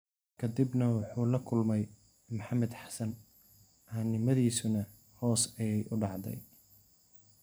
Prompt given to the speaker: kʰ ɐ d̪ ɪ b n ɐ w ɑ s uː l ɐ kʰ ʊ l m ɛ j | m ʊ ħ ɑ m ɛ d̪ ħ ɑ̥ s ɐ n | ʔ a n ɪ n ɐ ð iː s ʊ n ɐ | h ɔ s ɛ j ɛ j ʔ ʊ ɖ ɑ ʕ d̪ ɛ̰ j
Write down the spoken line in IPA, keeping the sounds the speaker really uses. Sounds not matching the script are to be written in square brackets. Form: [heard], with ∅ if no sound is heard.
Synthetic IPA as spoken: kʰ ɐ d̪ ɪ b n ɐ w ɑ [ħ] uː l ɐ kʰ ʊ l m ɛ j | m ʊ ħ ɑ m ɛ d̪ ħ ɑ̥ s ɐ n | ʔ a n ɪ [m] ɐ ð iː s ʊ n ɐ | h [ɔː] s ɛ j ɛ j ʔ ʊ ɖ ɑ ʕ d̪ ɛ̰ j